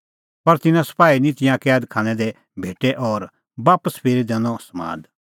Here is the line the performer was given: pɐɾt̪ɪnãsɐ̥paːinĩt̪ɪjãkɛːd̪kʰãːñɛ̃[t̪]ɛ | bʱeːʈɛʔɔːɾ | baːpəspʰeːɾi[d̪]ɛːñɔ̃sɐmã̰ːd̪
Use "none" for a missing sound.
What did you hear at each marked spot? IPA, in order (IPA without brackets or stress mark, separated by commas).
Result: d̪, d̪